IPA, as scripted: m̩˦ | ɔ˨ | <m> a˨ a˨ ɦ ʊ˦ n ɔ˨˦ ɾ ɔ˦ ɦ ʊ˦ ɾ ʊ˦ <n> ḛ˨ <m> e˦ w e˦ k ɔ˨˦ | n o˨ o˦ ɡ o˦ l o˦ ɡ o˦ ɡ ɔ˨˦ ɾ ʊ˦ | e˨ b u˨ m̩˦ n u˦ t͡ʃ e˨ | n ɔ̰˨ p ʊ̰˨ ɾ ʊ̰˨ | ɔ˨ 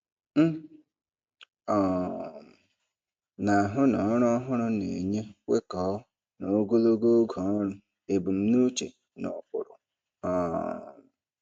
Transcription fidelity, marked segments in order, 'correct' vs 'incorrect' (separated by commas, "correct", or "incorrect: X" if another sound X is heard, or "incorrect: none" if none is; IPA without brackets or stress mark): incorrect: n, correct, incorrect: ɲ